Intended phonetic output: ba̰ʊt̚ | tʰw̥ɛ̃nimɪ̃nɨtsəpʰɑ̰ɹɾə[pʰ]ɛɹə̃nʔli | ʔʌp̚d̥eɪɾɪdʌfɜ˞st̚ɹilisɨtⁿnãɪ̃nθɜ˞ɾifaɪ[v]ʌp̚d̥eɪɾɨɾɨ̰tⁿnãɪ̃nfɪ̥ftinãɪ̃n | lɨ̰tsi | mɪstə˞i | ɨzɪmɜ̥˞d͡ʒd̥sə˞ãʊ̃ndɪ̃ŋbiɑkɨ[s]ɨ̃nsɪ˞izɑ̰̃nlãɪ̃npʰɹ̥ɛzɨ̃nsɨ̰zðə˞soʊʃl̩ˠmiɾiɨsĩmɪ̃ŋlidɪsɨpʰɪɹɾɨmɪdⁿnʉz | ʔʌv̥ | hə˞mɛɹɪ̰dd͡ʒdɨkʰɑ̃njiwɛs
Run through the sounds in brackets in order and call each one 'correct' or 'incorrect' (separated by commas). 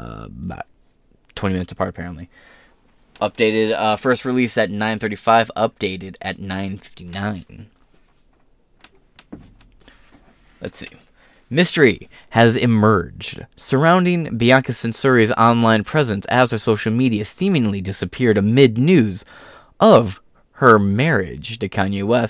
correct, correct, correct